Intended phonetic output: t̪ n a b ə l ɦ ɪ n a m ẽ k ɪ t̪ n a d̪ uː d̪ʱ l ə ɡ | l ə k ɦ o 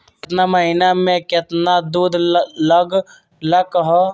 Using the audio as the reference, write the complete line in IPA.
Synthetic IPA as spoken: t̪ n a m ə ɦ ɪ n a m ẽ k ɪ t̪ n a d̪ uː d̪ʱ l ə ɡ | l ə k ɦ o